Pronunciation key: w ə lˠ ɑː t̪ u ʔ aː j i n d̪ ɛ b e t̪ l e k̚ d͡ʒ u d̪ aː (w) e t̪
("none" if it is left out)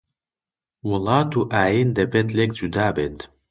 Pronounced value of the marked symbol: b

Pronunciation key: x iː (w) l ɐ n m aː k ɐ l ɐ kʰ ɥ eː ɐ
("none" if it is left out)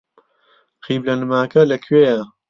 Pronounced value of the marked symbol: b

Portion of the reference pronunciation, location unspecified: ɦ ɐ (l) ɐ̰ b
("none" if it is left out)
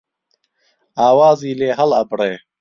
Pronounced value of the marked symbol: l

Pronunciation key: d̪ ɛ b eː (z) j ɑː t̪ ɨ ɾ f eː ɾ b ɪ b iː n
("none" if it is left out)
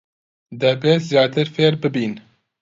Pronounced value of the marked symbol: z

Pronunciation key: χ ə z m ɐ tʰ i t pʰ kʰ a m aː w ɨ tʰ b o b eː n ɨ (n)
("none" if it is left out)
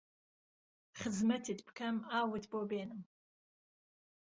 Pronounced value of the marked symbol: m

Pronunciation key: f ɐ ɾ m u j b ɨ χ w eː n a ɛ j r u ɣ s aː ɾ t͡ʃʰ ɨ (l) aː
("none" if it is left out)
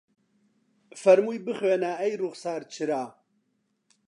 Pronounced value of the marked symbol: ɾ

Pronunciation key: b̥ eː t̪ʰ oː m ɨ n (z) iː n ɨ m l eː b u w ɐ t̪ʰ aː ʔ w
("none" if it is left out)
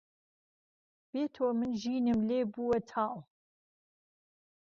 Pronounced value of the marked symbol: ʒ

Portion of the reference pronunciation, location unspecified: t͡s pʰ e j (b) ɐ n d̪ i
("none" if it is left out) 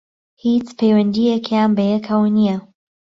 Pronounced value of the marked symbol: w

